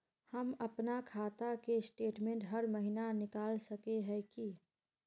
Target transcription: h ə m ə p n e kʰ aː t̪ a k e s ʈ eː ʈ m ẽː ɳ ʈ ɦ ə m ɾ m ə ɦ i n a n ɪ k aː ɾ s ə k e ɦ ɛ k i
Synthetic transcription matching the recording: h ə m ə p n a kʰ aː t̪ a k e s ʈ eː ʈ m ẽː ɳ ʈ ɦ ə ɾ m ə ɦ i n a n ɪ k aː l s ə k e ɦ ɛ k i